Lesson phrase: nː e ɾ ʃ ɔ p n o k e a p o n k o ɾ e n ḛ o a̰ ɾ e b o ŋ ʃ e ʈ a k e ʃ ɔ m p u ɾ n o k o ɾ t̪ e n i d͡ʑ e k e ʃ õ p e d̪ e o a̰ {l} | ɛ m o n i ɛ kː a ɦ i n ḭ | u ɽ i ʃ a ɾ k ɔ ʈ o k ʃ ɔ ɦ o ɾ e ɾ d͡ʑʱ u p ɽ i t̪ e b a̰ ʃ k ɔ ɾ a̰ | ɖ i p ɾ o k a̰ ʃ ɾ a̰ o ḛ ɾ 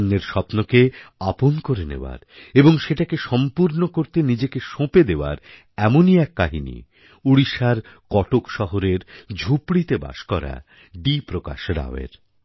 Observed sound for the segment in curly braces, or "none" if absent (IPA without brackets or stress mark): ɾ